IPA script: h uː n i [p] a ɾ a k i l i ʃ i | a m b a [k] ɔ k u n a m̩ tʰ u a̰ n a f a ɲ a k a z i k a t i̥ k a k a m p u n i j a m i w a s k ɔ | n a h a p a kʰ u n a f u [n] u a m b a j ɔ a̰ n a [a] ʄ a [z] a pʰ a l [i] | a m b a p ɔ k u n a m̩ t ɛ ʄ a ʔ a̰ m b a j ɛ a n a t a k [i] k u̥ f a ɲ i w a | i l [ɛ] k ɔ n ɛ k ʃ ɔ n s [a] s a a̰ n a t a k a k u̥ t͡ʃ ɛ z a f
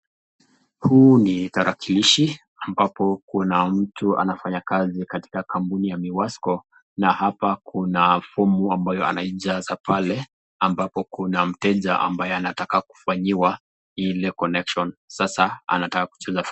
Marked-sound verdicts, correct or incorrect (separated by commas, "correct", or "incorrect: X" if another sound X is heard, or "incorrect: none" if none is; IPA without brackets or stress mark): incorrect: t, incorrect: p, incorrect: m, incorrect: i, correct, incorrect: ɛ, incorrect: a, correct, correct